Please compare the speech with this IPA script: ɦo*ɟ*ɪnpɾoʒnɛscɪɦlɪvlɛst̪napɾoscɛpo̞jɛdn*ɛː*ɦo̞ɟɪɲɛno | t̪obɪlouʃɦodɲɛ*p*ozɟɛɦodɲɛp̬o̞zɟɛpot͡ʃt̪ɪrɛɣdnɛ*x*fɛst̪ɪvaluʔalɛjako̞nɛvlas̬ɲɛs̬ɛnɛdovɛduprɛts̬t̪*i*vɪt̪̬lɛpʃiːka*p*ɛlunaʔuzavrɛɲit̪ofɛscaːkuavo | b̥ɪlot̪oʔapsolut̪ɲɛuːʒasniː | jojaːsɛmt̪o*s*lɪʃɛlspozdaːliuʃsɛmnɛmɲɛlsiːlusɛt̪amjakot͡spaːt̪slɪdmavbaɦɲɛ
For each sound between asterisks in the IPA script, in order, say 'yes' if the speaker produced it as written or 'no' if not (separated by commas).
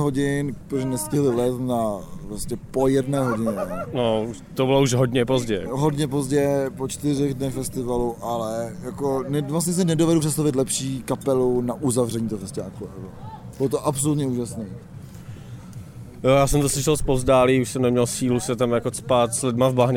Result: yes, yes, yes, yes, no, yes, yes